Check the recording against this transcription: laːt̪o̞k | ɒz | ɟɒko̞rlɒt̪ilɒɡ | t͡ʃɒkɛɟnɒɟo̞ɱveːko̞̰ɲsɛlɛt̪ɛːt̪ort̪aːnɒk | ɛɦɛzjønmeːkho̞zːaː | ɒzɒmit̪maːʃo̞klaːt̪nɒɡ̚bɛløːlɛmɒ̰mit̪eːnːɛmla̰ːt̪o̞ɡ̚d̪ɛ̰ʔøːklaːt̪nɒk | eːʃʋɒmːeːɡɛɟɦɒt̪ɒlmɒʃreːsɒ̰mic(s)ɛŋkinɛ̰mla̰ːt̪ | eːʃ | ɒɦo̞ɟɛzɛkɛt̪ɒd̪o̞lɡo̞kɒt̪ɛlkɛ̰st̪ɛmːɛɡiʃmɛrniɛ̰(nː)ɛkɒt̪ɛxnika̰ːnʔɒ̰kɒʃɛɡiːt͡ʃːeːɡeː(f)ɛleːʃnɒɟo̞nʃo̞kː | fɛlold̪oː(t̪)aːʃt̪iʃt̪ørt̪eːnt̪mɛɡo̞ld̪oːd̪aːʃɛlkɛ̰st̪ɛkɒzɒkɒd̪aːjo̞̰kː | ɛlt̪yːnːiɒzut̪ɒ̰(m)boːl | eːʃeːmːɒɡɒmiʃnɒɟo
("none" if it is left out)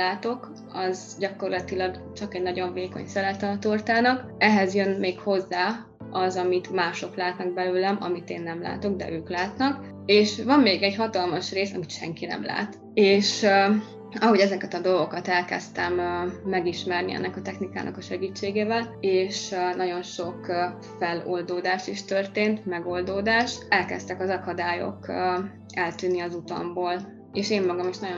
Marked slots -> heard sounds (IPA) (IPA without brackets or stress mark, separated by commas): ʃ, nː, v, d̪, m